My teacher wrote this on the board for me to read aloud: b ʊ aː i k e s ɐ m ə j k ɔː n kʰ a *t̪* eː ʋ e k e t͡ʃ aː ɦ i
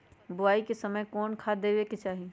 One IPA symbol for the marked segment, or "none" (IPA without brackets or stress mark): d̪